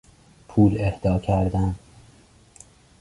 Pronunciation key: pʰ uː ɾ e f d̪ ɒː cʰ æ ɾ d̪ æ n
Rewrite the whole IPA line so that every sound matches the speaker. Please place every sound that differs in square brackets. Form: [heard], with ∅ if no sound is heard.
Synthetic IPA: pʰ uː [l] e [h] d̪ ɒː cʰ æ ɾ d̪ æ n